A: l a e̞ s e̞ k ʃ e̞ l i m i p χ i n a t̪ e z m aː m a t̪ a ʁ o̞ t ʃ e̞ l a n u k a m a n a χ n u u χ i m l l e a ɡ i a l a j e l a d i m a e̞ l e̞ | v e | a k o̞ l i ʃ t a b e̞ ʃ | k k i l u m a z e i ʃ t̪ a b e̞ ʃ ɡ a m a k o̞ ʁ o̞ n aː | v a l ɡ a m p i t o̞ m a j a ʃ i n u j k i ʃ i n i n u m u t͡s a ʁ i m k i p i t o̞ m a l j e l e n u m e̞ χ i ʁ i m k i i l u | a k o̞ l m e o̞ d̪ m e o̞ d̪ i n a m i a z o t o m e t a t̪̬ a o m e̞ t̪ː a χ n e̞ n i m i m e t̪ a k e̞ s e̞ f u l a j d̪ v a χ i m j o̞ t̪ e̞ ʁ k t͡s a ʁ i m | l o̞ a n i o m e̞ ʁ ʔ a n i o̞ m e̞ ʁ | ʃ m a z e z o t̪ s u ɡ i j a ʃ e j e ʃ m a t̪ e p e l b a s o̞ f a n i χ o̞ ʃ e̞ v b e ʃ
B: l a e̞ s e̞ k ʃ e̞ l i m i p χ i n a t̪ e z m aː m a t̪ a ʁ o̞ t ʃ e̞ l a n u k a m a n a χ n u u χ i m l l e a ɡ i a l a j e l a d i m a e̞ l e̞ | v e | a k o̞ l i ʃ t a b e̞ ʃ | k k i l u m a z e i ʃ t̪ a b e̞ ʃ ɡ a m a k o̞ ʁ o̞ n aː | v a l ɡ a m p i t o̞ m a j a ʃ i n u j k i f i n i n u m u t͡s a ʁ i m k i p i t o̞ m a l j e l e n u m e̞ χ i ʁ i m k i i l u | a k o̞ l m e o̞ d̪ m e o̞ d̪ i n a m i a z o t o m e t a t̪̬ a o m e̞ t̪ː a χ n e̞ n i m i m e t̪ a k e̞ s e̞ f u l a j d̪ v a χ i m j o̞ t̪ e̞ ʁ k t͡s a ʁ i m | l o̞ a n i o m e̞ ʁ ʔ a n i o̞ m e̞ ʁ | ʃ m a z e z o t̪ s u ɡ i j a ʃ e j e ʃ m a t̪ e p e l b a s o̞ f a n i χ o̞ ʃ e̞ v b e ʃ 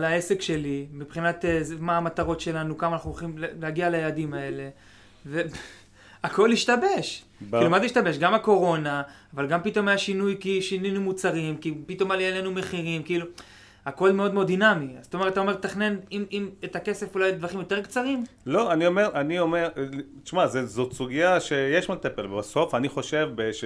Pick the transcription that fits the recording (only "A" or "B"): A